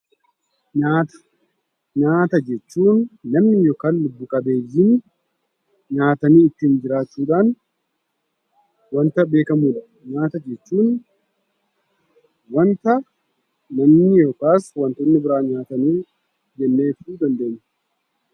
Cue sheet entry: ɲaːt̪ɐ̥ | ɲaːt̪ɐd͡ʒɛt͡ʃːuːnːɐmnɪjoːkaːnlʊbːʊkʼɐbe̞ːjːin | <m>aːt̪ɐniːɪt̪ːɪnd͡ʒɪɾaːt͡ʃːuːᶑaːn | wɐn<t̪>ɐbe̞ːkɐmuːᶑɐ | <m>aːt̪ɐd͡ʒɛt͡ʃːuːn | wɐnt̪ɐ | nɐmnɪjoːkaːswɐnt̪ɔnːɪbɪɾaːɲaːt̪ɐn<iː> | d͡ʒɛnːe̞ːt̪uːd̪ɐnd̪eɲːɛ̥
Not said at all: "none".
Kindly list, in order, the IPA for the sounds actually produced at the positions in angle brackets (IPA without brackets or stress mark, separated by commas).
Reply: ɲ, t̪, ɲ, iː